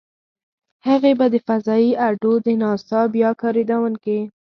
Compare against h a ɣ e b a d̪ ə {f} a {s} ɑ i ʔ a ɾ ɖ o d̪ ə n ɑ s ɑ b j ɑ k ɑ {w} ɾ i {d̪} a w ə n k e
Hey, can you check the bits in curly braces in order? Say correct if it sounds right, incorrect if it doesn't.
correct, incorrect, incorrect, correct

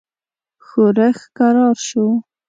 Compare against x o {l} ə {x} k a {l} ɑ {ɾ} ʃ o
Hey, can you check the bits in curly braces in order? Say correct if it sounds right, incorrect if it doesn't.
incorrect, correct, incorrect, correct

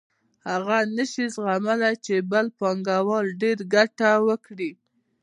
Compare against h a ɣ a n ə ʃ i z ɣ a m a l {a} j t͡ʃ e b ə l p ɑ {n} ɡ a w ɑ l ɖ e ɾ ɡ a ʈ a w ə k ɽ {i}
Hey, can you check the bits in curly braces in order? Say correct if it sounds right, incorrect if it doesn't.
correct, incorrect, correct

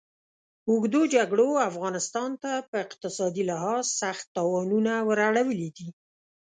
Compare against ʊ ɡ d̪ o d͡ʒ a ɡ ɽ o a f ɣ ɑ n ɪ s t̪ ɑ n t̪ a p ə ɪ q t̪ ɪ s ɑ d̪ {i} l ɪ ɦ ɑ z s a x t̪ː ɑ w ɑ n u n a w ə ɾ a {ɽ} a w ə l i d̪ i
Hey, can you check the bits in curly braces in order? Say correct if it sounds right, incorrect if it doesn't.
correct, correct

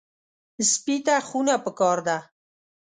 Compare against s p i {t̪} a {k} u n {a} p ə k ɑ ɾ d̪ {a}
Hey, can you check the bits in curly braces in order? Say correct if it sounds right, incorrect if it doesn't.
correct, incorrect, correct, correct

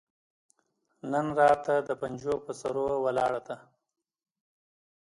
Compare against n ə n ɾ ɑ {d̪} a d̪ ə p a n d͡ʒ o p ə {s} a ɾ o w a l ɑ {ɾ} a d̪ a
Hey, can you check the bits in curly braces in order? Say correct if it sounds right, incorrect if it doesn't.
incorrect, correct, incorrect

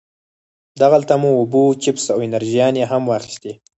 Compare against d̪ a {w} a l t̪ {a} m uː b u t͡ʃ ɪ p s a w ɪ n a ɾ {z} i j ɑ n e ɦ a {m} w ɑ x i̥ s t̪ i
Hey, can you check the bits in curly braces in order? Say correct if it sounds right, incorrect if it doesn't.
incorrect, correct, incorrect, correct

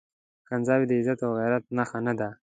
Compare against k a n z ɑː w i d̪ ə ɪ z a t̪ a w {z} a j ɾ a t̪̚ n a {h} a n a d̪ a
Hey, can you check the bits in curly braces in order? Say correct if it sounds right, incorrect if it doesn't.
incorrect, incorrect

